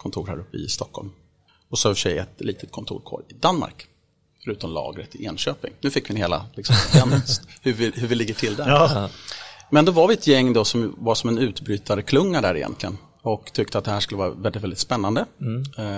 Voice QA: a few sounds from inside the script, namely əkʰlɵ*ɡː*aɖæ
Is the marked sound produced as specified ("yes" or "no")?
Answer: no